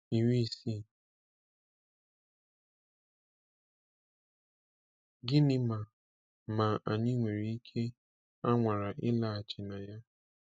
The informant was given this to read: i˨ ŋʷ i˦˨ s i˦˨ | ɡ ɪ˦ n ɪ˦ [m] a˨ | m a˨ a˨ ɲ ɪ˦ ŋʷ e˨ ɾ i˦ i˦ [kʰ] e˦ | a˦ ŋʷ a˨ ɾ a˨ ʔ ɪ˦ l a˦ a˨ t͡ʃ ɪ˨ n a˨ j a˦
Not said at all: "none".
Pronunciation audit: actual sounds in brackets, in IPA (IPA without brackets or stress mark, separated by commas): m, kʰ